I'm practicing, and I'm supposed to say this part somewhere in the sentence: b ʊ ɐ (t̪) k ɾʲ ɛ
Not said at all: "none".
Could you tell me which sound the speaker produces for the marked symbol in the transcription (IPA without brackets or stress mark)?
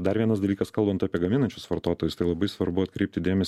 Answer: t̪